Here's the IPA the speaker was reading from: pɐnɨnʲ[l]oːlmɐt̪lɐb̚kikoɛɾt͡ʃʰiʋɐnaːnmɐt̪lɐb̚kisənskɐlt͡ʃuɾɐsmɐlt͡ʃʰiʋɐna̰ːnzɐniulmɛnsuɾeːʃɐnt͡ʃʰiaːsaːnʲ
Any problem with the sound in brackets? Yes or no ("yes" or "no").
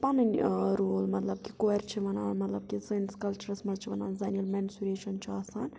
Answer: yes